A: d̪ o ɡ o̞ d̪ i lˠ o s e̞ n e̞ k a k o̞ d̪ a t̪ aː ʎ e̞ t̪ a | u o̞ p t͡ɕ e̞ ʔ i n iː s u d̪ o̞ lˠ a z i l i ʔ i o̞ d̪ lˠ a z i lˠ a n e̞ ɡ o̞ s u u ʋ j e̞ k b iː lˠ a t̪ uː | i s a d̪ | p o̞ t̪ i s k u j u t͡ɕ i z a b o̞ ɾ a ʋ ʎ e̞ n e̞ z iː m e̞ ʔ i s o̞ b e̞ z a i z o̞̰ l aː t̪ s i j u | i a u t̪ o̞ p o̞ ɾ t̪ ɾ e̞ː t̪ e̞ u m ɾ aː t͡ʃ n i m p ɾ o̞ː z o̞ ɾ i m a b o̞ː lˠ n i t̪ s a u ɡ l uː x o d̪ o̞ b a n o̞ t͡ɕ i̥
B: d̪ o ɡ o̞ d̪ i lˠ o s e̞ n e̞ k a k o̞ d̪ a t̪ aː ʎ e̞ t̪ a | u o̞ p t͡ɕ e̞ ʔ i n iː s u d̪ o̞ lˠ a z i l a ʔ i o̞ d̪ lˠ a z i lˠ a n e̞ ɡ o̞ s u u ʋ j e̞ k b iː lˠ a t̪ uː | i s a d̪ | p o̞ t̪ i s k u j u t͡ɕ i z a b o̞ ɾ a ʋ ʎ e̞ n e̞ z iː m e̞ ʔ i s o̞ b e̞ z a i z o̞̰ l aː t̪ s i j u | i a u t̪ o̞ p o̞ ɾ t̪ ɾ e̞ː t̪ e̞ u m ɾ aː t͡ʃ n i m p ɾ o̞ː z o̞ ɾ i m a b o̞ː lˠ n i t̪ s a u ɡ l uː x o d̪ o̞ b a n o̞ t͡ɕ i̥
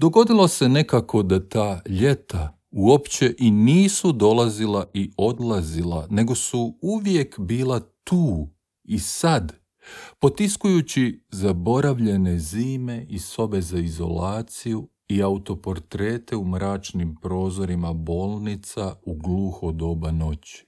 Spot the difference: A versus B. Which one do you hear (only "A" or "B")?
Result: B